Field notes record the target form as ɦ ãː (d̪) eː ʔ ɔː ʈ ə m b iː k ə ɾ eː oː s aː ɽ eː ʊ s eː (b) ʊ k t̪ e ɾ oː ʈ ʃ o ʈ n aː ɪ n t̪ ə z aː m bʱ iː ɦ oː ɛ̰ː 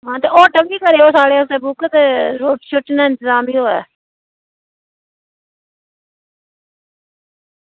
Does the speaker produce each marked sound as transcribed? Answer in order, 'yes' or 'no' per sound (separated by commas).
no, yes